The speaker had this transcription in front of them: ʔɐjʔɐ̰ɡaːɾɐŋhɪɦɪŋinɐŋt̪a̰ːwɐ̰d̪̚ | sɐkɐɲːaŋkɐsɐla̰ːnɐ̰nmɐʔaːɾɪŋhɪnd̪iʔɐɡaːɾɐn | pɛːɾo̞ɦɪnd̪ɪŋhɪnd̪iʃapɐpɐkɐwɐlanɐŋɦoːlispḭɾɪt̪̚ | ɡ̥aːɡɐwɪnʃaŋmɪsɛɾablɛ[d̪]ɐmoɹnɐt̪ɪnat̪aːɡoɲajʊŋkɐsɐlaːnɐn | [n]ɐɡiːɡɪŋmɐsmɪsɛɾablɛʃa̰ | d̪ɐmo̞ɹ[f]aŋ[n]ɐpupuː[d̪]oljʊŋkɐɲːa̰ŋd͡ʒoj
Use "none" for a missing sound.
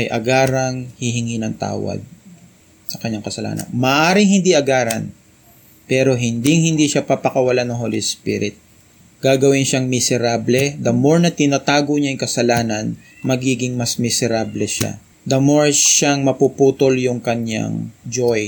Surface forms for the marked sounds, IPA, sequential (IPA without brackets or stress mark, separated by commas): d̪, m, ʃ, m, t̪